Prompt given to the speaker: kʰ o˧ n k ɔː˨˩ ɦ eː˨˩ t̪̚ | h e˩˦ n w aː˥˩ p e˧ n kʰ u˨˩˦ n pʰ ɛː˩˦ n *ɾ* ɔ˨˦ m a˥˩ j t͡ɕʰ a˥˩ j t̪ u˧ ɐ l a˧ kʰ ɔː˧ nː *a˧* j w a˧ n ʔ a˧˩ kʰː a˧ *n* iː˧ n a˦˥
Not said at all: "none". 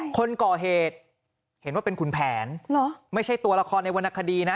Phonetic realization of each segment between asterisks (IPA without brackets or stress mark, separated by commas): l, a˧, d